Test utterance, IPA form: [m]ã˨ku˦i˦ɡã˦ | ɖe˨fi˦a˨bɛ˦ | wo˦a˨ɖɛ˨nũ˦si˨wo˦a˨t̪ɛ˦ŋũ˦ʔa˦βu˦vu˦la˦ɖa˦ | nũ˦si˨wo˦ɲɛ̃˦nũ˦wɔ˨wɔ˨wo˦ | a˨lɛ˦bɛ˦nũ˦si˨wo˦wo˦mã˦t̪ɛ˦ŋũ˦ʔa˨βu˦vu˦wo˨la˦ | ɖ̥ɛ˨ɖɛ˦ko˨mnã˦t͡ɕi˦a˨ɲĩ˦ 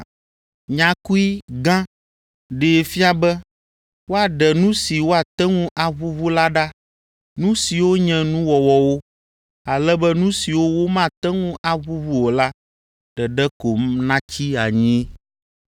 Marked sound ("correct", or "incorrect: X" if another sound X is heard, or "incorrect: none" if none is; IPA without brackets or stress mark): incorrect: ɲ